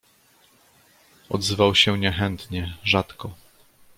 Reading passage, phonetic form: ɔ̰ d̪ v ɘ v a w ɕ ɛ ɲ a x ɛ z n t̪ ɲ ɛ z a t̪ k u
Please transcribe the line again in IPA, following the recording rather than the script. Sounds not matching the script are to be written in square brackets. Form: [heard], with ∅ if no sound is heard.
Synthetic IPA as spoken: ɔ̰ d̪ [z] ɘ v a w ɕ ɛ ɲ [ɛ] x ɛ [∅] n t̪ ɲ ɛ [ʐ] a t̪ k [ɔ]

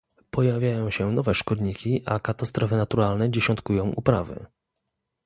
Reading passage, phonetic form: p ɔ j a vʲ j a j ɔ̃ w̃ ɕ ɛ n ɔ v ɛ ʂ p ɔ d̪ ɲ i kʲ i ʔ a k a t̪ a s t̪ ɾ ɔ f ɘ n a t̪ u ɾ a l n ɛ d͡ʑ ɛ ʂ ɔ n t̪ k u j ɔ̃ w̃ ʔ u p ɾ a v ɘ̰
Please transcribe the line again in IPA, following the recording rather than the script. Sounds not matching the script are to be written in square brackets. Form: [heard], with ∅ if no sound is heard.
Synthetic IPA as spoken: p ɔ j a vʲ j a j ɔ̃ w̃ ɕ ɛ n ɔ v ɛ ʂ [k] ɔ d̪ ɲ i kʲ i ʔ a k a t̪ a s t̪ ɾ ɔ f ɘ n a t̪ u ɾ a l n ɛ d͡ʑ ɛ [ɕ] ɔ n t̪ k u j ɔ̃ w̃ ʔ u p ɾ a v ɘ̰

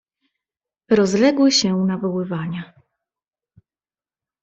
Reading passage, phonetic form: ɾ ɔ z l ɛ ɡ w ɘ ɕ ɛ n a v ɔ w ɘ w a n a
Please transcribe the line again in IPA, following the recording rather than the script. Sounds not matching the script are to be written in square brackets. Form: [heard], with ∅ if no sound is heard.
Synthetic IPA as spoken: ɾ ɔ z l ɛ ɡ w ɘ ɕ ɛ n a v ɔ w ɘ [v] a [ɲ] a

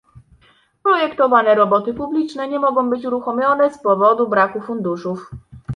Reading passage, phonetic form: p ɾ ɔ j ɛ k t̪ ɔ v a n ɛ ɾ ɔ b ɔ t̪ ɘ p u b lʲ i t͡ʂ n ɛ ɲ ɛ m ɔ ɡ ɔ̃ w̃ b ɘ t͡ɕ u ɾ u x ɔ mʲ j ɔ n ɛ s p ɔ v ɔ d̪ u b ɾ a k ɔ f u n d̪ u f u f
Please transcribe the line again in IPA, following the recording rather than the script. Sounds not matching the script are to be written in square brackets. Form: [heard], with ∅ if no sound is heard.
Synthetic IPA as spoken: p ɾ ɔ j ɛ k t̪ ɔ v a n ɛ ɾ ɔ b ɔ t̪ ɘ p u b lʲ i t͡ʂ n ɛ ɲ ɛ m ɔ ɡ ɔ̃ w̃ b ɘ t͡ɕ u ɾ u x ɔ mʲ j ɔ n ɛ s p ɔ v ɔ d̪ u b ɾ a k [u] f u n d̪ u [ʂ] u f

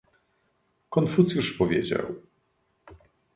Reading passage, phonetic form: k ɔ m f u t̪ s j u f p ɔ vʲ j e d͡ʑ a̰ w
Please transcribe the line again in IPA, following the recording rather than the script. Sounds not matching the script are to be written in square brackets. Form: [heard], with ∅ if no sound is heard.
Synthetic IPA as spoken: k ɔ [n] f u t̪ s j u [ʂ] p ɔ vʲ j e d͡ʑ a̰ w

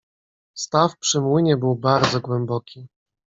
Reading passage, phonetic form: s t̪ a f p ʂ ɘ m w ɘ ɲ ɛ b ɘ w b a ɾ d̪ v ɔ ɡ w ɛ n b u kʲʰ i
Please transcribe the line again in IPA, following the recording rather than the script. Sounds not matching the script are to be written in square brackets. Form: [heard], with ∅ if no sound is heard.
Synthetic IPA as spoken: s t̪ a f p ʂ ɘ m w ɘ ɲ ɛ b ɘ w b a ɾ d̪ [z] ɔ ɡ w ɛ [m] b [ɔ] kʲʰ i

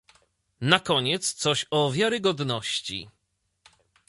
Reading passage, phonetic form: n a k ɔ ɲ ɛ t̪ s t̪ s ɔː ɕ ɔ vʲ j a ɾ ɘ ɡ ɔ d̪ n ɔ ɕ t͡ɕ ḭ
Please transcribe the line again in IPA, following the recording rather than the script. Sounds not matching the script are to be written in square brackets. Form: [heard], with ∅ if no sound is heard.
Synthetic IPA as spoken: n a k ɔ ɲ ɛ t̪ s t̪ s [ɔ] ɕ ɔ vʲ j a ɾ ɘ ɡ ɔ d̪ n ɔ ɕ t͡ɕ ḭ

